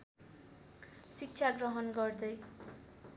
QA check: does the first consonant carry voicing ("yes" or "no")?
no